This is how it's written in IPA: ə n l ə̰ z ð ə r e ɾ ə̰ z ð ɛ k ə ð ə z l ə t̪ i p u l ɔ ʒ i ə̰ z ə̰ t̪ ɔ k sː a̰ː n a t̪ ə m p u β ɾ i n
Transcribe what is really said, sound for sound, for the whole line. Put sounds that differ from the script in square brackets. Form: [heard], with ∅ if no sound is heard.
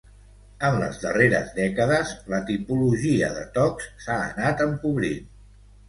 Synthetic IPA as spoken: ə n l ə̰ z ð ə r e ɾ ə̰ z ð ɛ k ə ð ə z l ə t̪ i p u l [u] ʒ i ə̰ [ð] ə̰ t̪ ɔ k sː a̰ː n a t̪ ə m p u β ɾ i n